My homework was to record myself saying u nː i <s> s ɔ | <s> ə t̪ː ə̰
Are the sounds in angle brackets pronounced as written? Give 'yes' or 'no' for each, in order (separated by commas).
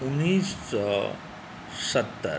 yes, yes